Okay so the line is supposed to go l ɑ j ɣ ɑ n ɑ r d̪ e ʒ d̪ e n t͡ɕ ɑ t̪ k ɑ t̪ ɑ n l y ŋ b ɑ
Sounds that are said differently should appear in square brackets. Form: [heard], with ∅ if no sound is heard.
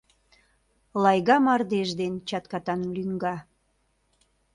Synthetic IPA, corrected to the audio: l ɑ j ɣ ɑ [m] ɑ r d̪ e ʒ d̪ e n t͡ɕ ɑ t̪ k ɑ t̪ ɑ n l y ŋ [ɡ] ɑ